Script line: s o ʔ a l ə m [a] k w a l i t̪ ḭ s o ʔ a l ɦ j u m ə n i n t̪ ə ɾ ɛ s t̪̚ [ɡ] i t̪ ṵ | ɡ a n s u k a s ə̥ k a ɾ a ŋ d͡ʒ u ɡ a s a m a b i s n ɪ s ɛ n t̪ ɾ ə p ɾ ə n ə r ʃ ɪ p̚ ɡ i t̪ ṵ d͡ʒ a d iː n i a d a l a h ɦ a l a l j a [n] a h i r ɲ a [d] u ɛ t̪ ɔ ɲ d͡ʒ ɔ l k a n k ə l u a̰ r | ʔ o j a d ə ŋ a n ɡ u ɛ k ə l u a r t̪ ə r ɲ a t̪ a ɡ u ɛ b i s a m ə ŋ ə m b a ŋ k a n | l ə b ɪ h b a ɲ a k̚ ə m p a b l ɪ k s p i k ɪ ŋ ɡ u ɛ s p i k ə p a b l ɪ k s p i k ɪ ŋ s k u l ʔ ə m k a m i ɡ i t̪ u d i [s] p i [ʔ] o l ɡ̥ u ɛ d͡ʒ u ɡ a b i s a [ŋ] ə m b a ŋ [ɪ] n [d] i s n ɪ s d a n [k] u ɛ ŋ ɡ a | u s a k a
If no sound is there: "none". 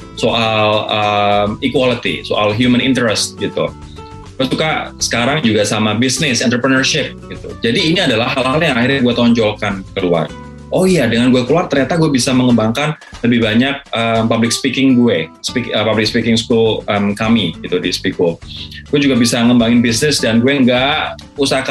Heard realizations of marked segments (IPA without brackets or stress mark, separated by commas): i, ɡ, ŋ, ɡ, s, k, ŋ, ɪ, b, ɡ